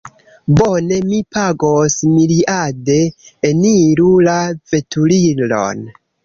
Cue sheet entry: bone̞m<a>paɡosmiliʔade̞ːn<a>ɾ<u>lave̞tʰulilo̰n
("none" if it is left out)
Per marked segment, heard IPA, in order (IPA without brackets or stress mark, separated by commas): i, i, u